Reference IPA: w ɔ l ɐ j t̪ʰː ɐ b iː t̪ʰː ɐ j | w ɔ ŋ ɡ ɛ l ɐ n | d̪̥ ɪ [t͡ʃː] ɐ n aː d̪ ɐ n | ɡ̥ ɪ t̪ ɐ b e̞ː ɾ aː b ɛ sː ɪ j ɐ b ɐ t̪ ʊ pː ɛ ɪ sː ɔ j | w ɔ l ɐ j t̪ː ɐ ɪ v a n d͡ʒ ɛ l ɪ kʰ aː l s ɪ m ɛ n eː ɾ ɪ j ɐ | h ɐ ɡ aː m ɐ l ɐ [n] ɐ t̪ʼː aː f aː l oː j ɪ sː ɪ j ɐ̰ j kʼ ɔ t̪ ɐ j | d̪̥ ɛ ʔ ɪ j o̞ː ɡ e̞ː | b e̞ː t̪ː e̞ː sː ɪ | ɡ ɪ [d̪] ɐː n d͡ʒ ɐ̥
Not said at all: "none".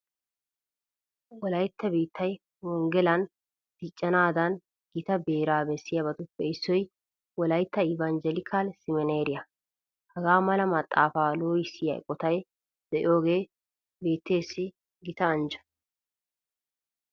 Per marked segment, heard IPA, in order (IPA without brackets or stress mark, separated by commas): t͡ʃʼː, m, t̪